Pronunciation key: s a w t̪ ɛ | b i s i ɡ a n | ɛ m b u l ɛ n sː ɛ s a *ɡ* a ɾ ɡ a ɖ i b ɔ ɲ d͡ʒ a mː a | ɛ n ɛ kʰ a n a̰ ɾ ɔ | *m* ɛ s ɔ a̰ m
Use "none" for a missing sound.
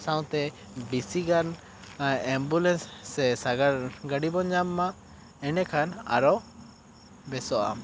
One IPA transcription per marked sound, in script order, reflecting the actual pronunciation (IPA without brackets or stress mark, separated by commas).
ɡ, b